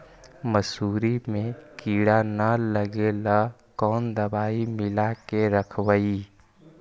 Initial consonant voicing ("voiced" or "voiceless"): voiced